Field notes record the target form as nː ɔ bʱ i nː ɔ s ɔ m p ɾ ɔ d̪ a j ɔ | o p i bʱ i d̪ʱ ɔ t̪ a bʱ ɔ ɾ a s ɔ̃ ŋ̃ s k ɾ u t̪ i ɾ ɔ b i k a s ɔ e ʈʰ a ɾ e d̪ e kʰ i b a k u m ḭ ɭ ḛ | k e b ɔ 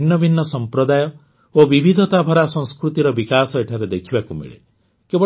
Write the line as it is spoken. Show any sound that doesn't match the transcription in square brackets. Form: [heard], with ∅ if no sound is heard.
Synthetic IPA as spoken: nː ɔ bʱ i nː ɔ s ɔ m p ɾ ɔ d̪ a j ɔ | o [b] i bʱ i d̪ʱ ɔ t̪ a bʱ ɔ ɾ a s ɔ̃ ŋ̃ s k ɾ u t̪ i ɾ ɔ b i k a s ɔ e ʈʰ a ɾ e d̪ e kʰ i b a k u m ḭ ɭ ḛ | k e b ɔ